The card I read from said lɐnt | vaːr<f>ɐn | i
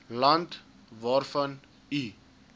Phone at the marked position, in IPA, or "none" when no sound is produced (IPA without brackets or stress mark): f